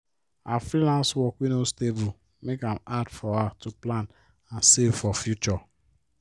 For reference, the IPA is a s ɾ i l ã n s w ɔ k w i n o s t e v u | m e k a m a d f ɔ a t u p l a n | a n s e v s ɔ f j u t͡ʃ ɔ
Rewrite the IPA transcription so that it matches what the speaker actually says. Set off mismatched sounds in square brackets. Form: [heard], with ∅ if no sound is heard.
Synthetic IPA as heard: a [f] ɾ i l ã n s w ɔ k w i n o s t e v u | m e k a m a d f ɔ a t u p l a n | a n s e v [f] ɔ f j u t͡ʃ ɔ